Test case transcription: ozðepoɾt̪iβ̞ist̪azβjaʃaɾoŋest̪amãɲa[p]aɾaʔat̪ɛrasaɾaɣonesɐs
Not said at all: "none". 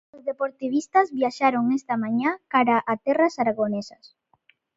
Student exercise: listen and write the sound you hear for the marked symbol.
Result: k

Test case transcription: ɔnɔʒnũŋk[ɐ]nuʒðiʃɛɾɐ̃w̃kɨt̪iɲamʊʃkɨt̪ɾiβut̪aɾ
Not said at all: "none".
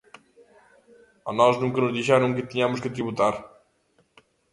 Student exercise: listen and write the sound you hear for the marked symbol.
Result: ɐ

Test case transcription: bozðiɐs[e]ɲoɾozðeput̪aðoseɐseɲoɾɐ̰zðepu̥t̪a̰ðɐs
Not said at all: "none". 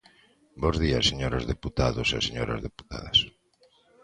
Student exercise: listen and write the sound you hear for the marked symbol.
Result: e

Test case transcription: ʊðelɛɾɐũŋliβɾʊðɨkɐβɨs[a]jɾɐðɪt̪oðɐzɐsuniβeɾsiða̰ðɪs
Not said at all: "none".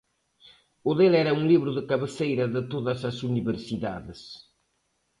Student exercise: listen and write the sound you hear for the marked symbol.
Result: e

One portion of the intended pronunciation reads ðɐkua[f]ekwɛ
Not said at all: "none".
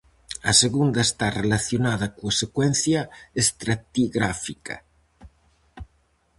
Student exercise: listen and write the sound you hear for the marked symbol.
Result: s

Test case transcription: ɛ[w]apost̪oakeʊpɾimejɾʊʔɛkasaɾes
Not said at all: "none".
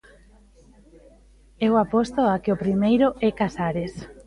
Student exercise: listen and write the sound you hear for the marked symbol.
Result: w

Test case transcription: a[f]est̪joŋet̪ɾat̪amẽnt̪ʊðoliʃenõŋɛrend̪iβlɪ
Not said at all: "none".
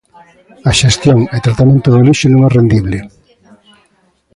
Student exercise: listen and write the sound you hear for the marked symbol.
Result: ʃ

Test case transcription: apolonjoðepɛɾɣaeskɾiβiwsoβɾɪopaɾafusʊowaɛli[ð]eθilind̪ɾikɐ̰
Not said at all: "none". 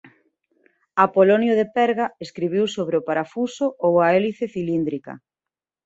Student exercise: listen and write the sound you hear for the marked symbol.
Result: θ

